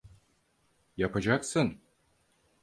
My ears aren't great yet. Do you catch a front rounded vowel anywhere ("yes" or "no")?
no